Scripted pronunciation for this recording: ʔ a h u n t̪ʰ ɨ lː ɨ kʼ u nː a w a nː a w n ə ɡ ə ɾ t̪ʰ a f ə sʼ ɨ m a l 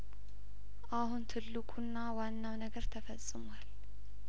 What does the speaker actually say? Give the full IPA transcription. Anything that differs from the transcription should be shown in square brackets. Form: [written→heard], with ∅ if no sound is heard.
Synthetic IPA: ʔ a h u n t̪ʰ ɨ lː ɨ kʼ u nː a w a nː a w n ə ɡ ə ɾ t̪ʰ [a→ə] f ə sʼ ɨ m a l